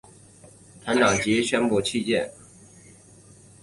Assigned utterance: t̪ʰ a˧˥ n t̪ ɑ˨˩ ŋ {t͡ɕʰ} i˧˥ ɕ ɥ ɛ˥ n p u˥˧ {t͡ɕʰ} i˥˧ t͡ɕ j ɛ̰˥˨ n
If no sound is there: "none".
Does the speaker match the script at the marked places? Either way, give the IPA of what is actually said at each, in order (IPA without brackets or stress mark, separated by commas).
t͡ɕ, t͡ɕʰ